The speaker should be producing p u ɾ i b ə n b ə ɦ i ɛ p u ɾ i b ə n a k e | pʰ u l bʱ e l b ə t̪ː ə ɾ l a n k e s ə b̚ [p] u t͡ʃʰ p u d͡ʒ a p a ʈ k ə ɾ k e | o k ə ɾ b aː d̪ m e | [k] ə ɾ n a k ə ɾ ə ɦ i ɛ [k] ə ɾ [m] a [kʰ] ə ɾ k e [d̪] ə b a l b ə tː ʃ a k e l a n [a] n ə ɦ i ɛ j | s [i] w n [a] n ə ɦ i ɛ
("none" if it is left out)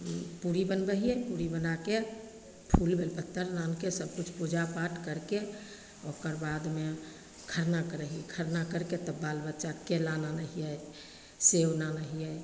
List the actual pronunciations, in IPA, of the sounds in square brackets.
k, kʰ, kʰ, n, k, t̪, a, e, a

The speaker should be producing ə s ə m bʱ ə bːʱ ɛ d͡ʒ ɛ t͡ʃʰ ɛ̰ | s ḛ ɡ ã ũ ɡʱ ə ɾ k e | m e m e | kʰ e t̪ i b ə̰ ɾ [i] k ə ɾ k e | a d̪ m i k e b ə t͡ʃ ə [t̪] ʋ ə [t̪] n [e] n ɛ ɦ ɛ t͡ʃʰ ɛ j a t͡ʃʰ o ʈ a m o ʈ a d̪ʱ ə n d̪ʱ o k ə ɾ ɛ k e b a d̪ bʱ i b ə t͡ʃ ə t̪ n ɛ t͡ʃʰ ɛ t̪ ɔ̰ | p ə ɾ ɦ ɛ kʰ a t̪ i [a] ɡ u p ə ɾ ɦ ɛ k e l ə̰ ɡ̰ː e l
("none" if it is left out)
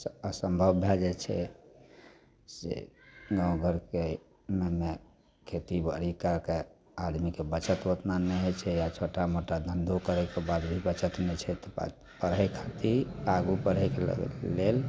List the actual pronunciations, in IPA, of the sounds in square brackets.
i, t̪, t̪, a, a

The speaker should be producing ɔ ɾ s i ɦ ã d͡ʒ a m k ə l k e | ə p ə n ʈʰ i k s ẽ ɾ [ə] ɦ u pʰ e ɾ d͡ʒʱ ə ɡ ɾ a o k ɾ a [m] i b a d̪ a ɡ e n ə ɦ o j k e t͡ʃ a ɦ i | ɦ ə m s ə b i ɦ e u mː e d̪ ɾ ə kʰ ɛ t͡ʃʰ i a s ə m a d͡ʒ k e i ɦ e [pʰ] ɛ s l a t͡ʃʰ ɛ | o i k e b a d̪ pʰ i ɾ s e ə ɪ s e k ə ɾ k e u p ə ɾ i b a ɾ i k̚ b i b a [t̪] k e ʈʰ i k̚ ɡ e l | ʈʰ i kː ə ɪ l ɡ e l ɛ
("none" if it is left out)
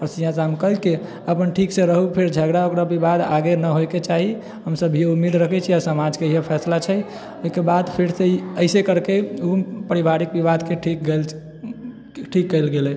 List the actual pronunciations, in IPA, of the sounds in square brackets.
ə, b, pʰ, d̪

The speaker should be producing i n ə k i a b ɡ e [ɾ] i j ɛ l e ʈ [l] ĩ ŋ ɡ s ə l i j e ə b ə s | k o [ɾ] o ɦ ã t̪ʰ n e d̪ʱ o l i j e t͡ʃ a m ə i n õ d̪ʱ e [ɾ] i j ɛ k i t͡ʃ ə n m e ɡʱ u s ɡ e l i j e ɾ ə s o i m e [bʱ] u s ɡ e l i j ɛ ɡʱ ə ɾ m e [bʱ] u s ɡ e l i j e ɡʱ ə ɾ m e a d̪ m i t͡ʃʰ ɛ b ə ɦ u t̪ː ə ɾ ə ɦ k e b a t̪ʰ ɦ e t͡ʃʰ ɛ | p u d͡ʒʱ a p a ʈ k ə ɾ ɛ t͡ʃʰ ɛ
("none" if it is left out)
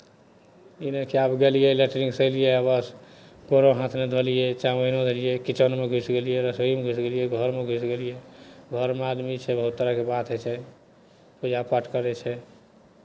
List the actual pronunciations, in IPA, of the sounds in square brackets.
l, ɾ, ɾ, l, ɡʱ, ɡʱ

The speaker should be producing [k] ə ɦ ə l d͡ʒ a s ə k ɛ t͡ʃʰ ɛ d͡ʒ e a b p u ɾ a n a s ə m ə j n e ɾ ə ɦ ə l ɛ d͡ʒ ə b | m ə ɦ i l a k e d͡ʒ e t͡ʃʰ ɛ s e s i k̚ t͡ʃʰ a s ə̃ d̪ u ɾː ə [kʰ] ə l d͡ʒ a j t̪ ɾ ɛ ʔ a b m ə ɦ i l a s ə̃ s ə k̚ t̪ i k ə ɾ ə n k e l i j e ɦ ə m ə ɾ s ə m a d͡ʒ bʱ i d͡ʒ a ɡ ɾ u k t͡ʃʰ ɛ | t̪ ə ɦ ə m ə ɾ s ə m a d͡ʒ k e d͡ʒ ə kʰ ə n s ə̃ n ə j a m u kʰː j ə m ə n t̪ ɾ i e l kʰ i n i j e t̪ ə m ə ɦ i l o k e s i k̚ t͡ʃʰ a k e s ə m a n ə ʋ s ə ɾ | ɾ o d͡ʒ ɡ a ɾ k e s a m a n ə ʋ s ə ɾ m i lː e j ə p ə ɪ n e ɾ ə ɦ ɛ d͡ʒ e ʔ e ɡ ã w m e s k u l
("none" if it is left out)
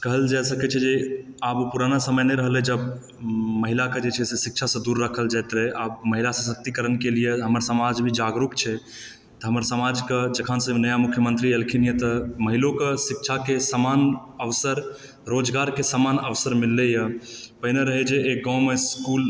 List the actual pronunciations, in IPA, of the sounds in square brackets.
k, kʰ

